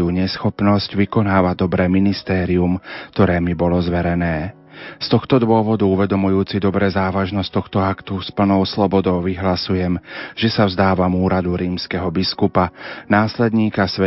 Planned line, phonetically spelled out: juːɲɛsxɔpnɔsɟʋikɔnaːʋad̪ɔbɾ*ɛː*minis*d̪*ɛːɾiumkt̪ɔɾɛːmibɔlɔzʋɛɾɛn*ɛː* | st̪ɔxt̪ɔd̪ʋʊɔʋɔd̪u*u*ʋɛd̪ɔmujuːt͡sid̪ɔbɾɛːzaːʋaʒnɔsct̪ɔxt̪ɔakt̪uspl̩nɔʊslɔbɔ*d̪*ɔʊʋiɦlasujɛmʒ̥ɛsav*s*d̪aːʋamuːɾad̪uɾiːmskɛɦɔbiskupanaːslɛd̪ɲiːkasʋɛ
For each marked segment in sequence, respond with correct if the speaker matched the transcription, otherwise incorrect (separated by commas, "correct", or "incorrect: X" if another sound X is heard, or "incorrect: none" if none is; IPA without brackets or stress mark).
correct, incorrect: t̪, correct, correct, correct, incorrect: z